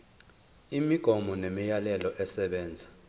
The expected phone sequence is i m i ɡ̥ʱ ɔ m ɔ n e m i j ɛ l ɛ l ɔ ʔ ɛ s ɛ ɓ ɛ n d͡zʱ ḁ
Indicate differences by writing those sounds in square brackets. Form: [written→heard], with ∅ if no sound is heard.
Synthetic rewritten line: i m i ɡ̥ʱ ɔ m ɔ n e m i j [ɛ→a] l ɛ l ɔ ʔ ɛ s ɛ ɓ [ɛ→ɛː] n d͡zʱ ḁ